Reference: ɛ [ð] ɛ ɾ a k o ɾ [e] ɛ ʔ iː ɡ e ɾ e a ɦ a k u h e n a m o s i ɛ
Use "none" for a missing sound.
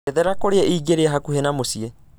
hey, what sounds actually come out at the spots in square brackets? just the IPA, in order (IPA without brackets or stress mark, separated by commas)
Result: ð, e